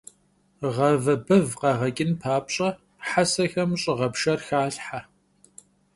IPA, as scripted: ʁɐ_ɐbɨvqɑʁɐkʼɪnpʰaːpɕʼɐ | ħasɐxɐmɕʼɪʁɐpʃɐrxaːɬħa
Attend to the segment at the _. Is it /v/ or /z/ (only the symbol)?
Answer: v